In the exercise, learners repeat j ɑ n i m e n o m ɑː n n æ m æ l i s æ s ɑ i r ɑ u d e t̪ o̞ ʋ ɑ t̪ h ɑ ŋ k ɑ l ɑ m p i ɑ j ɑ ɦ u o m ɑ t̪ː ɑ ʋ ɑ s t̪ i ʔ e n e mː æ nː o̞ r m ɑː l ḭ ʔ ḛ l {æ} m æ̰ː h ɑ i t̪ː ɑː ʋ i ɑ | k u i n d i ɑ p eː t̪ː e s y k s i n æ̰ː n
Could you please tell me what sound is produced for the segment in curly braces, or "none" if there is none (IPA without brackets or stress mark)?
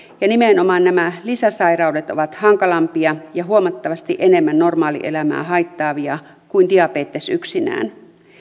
æ